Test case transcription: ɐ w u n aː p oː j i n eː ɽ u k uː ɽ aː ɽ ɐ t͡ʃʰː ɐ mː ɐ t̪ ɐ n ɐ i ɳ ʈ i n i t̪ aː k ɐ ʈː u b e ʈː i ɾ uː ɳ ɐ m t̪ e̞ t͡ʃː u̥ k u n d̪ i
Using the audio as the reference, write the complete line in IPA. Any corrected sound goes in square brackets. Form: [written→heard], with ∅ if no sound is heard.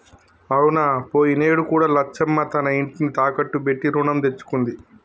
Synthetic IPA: ɐ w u n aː p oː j i n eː ɽ u k uː ɽ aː [ɽ→l] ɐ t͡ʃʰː ɐ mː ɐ t̪ ɐ n ɐ i ɳ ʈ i n i t̪ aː k ɐ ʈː u b e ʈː i ɾ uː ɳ ɐ m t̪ e̞ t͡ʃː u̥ k u n d̪ i